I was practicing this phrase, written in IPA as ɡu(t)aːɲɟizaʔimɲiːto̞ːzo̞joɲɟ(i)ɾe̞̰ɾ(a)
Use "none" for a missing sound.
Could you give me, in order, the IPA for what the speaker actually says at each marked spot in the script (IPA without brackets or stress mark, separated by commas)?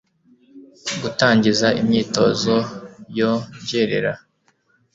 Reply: t, e, a